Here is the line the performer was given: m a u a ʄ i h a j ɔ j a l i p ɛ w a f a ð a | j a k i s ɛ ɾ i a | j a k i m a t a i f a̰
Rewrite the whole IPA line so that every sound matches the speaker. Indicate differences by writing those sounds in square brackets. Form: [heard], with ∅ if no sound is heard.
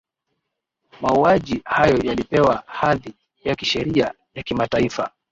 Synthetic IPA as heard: m a u a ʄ i h a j ɔ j a l i p ɛ w a [h] a ð [i] | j a k i [ʃ] ɛ ɾ i a | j a k i m a t a i f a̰